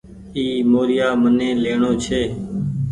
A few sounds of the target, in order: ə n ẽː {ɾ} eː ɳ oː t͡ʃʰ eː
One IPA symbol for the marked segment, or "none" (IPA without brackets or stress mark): l